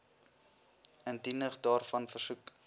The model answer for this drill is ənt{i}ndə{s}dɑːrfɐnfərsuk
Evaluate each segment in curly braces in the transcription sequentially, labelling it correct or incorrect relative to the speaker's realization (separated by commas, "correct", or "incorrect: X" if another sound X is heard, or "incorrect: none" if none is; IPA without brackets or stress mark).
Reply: correct, incorrect: χ